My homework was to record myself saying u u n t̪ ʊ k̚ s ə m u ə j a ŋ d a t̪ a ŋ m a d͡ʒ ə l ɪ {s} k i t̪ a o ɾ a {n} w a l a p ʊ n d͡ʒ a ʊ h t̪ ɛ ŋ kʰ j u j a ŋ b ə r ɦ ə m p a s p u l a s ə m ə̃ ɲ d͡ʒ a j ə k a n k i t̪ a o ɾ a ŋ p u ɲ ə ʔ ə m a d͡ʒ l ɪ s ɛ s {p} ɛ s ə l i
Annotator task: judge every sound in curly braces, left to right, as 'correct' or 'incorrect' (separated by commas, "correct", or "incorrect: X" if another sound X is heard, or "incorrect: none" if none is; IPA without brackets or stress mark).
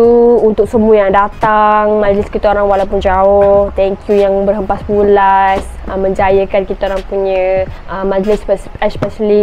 correct, incorrect: ŋ, correct